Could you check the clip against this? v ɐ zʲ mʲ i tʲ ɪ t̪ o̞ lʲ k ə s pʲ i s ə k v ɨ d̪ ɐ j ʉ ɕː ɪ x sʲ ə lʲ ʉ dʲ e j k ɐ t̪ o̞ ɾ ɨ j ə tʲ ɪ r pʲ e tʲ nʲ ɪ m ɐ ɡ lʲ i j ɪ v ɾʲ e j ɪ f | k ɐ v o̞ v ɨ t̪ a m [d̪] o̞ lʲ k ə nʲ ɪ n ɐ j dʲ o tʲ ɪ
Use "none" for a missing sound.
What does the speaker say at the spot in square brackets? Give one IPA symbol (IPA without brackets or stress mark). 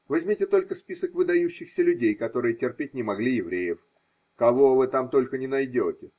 t̪